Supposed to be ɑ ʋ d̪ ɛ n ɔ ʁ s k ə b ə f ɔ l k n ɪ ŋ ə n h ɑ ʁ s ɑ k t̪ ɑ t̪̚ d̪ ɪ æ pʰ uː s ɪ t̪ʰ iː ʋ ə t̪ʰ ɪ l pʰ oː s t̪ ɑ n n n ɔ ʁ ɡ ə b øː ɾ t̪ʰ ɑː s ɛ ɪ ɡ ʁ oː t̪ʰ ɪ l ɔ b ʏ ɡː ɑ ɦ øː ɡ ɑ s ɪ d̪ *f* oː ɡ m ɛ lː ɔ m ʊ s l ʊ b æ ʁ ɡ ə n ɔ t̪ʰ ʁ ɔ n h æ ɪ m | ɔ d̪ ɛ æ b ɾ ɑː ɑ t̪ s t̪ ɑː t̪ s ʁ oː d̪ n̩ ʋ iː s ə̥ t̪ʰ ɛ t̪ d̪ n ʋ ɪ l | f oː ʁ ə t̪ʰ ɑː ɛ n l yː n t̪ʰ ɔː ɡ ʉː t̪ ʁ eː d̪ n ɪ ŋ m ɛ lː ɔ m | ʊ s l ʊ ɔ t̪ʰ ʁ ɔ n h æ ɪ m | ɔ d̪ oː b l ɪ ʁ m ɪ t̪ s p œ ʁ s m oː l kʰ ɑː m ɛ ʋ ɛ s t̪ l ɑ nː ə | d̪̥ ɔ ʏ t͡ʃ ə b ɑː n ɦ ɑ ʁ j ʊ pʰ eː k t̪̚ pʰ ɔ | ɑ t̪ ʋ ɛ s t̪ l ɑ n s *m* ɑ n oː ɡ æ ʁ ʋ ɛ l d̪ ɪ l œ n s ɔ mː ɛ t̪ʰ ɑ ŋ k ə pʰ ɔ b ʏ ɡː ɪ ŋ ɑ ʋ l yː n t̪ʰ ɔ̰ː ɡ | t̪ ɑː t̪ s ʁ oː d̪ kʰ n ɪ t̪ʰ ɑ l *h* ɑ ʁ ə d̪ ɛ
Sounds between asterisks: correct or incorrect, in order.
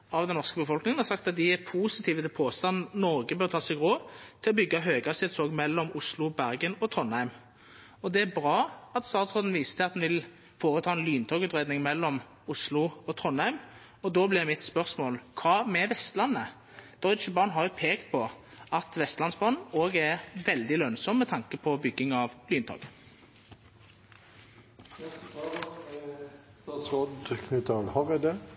incorrect: s, incorrect: b, correct

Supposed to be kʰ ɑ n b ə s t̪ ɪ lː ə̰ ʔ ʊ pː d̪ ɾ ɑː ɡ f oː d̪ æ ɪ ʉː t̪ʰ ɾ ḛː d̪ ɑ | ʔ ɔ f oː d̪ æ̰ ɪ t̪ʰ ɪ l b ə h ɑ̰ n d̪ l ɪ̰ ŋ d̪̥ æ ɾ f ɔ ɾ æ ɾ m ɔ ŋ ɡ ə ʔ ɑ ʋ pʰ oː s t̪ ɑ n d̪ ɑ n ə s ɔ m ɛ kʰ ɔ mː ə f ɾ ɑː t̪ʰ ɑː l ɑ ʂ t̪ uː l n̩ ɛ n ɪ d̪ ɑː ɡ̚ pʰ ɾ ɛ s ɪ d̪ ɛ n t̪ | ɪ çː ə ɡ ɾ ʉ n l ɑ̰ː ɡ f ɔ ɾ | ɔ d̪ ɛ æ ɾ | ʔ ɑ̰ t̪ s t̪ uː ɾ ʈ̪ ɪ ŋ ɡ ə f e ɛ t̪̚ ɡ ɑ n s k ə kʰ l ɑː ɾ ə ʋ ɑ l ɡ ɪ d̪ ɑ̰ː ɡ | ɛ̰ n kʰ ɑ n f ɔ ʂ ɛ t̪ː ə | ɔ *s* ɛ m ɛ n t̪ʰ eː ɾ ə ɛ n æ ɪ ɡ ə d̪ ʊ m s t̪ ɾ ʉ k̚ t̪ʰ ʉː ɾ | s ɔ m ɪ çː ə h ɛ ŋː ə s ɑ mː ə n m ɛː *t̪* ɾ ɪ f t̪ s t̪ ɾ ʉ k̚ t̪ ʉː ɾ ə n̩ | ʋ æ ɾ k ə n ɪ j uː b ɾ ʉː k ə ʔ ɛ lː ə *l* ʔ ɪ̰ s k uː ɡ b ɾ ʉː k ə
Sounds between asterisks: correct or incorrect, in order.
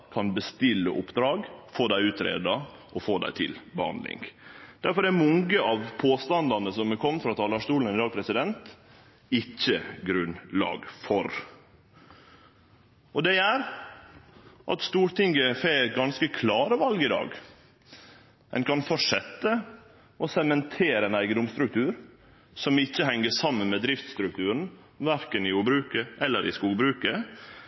correct, incorrect: d̪, incorrect: ɾ

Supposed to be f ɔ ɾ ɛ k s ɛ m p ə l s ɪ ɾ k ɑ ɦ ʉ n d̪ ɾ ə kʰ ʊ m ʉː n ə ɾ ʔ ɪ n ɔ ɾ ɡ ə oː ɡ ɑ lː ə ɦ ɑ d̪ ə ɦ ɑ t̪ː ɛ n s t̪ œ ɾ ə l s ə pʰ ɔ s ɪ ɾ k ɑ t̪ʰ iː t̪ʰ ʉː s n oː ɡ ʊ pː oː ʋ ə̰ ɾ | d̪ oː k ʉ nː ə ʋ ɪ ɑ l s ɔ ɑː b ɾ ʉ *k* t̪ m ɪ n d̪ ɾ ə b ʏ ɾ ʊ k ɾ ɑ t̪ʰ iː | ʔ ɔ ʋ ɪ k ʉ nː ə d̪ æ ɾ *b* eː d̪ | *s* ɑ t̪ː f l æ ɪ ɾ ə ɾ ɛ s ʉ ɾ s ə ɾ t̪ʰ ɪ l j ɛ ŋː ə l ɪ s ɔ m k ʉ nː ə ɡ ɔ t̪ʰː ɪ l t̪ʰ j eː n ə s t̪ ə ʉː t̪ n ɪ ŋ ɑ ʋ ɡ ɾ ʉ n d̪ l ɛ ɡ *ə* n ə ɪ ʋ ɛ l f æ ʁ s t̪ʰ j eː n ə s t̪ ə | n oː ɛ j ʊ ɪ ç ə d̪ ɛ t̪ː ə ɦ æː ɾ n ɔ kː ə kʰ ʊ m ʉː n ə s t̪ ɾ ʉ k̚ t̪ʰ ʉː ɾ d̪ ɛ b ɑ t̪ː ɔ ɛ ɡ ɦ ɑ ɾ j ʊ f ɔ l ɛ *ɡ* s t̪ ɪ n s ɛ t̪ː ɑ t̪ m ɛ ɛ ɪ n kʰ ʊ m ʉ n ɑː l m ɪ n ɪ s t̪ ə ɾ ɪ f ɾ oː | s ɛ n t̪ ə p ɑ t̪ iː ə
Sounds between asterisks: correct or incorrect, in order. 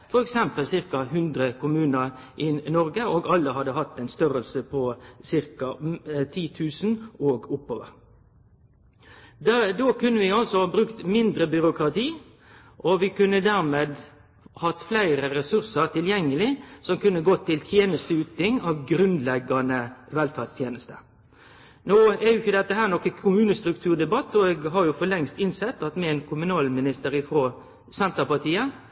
correct, incorrect: m, incorrect: h, incorrect: ɑ, incorrect: ŋ

